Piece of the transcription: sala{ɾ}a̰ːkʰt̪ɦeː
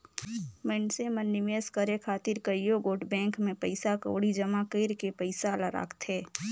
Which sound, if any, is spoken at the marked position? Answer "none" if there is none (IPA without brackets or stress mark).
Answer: ɾ